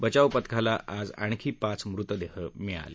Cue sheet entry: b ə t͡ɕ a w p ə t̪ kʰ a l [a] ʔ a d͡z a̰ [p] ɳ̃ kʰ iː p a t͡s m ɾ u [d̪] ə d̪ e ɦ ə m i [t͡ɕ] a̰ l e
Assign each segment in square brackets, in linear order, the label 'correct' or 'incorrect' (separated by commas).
correct, incorrect, incorrect, incorrect